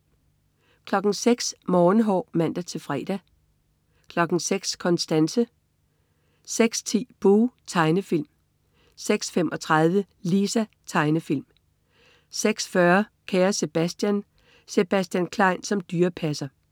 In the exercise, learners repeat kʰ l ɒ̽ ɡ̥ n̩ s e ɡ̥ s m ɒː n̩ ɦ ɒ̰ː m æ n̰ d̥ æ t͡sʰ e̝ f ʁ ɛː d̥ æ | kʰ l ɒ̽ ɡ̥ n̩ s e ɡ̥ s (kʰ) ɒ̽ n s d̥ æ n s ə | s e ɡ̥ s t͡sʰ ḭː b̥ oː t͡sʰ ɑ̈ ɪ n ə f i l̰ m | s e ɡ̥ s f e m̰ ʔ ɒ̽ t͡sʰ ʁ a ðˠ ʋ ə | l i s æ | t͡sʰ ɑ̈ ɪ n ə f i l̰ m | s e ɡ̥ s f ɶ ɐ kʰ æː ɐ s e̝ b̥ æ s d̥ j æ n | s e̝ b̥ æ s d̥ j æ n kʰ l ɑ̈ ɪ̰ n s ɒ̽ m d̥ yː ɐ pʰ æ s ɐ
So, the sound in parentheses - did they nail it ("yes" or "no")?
yes